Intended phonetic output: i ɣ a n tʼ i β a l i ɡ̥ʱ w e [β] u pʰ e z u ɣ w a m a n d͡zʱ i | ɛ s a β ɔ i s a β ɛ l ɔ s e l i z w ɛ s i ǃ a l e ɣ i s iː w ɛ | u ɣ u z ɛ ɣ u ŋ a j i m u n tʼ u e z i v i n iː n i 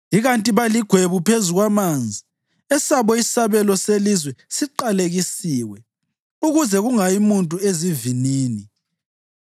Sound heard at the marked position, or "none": β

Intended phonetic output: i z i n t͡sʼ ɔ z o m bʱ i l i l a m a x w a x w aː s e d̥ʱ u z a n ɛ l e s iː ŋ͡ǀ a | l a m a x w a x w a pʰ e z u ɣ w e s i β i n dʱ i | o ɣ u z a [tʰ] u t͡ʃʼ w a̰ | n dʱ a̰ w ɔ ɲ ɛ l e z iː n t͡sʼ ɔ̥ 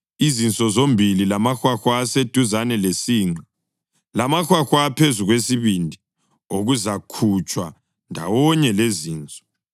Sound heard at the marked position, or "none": kʰ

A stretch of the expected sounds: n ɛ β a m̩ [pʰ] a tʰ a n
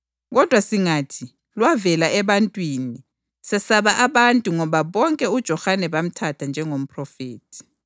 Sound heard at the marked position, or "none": tʰ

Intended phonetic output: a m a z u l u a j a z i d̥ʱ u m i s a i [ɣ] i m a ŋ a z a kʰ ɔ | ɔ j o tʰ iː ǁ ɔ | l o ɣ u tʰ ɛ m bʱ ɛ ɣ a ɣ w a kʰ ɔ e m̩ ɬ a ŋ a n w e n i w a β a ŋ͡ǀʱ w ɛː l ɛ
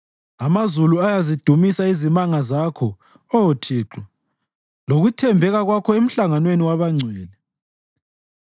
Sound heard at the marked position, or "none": z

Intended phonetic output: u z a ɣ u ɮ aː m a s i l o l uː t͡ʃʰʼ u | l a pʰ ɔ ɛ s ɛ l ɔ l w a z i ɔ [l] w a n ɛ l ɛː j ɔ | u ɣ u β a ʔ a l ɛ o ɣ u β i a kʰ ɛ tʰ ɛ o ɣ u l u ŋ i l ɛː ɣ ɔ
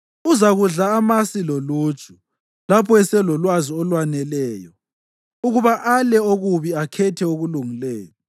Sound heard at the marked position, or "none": l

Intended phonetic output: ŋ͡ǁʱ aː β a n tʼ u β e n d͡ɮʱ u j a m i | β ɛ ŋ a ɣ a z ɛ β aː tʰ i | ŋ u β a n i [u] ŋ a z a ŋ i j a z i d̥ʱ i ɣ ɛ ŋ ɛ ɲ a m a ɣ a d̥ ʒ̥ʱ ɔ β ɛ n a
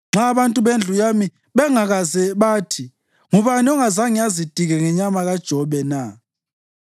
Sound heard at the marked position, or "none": ɔ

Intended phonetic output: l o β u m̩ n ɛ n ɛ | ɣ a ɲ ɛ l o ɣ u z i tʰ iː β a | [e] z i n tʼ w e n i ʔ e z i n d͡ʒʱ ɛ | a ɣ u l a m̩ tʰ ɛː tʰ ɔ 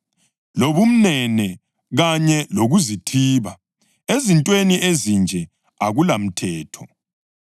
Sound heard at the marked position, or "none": e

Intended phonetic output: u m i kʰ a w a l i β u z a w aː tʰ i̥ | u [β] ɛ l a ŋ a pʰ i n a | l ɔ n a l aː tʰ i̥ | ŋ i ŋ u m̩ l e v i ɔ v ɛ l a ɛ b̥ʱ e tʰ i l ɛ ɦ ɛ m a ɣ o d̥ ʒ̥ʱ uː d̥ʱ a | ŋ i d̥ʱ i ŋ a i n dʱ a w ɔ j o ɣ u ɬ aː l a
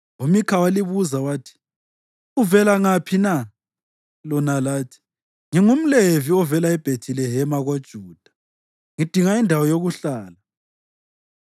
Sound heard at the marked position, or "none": v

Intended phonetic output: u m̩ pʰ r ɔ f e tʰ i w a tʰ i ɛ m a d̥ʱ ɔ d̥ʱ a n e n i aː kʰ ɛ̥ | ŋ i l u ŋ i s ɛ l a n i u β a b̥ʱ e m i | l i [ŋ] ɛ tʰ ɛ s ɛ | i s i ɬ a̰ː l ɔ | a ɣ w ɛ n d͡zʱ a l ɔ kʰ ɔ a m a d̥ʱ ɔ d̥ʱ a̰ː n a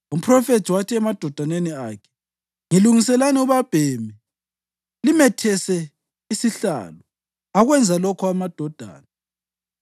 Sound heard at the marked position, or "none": m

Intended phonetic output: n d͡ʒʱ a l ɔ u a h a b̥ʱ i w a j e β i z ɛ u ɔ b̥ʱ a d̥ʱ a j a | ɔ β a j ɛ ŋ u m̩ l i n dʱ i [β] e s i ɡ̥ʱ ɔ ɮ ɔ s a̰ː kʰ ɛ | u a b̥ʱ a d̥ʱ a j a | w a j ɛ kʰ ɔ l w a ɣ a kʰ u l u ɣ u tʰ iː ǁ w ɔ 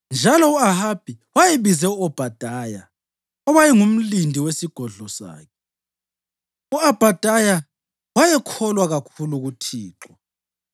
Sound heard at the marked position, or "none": w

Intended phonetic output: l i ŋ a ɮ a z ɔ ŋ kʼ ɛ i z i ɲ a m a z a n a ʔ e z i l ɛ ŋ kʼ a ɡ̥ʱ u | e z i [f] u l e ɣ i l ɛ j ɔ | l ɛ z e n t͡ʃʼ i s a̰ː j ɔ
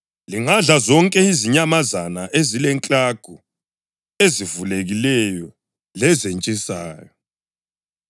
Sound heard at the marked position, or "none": v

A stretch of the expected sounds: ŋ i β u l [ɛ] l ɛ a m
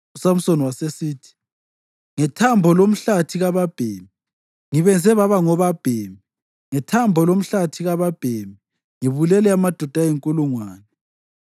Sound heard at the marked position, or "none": ɛ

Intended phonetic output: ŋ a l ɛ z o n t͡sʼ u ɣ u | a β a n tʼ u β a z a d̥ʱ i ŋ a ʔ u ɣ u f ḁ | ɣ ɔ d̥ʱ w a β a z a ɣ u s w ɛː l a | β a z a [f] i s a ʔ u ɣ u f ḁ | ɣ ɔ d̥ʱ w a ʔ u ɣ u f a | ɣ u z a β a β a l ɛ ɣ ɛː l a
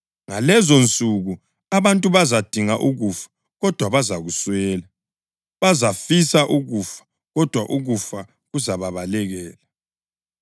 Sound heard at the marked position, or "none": f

